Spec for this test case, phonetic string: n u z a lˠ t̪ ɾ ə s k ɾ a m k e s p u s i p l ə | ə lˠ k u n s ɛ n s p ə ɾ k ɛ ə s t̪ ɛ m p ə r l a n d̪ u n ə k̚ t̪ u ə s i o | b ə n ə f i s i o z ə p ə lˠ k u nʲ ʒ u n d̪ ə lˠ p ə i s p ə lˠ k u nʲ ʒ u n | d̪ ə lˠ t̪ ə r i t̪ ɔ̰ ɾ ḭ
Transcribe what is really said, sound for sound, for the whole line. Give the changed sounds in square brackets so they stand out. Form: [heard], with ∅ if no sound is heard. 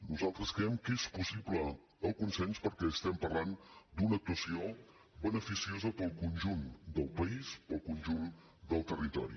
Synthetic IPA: n u z a lˠ t̪ ɾ ə s k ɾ [ɛ] m k e s p u s i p l ə | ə lˠ k u n s ɛ n s p ə ɾ k ɛ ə s t̪ ɛ m p ə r l a n d̪ u n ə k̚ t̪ u ə s i o | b ə n ə f i s i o z ə p ə lˠ k u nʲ ʒ u n d̪ ə lˠ p ə i s p ə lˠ k u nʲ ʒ u n | d̪ ə lˠ t̪ ə r i t̪ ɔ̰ ɾ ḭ